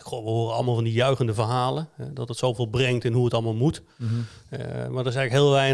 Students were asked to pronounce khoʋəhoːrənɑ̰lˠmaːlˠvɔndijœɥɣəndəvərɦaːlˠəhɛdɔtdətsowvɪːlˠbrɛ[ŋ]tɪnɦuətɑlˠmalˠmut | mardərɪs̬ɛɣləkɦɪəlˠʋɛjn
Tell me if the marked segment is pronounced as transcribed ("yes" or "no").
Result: yes